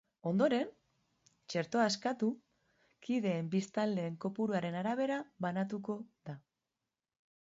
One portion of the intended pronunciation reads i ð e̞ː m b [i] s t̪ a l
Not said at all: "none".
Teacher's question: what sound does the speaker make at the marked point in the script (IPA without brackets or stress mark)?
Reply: i